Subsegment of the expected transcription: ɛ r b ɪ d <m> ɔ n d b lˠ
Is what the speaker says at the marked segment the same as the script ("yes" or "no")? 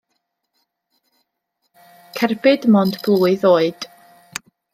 yes